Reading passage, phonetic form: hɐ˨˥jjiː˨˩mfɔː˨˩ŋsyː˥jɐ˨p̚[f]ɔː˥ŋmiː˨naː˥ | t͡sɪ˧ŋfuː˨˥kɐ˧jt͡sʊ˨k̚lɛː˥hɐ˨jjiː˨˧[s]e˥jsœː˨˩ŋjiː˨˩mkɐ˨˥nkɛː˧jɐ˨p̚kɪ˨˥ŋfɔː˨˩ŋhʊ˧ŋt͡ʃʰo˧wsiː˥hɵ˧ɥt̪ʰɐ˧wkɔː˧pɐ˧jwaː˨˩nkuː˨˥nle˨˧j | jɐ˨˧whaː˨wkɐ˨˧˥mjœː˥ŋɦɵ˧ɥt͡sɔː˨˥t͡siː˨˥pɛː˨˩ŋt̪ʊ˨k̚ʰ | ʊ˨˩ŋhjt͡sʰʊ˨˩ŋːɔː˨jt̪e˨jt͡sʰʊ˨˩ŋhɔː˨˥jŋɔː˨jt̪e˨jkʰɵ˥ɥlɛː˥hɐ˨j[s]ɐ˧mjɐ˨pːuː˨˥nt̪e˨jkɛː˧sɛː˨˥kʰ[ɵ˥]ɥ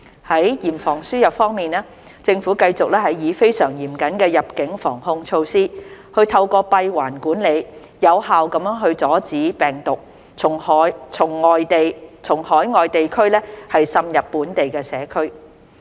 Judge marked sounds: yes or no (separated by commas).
yes, no, yes, yes